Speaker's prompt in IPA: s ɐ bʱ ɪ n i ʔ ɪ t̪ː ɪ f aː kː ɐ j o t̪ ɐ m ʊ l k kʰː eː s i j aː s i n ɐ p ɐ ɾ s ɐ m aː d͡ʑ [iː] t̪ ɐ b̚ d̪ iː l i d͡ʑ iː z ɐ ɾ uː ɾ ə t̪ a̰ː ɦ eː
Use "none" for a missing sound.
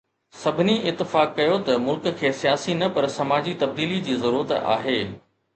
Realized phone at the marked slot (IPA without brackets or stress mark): i